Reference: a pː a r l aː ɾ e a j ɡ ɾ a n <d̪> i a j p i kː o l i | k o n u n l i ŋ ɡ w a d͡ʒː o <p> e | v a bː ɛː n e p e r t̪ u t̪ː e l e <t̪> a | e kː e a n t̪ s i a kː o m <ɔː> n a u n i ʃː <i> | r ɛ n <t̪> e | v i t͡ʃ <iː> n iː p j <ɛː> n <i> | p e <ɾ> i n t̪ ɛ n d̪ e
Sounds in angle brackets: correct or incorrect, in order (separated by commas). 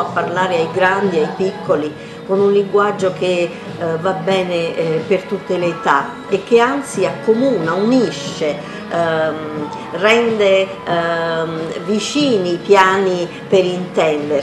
correct, incorrect, correct, incorrect, incorrect, incorrect, correct, incorrect, correct, correct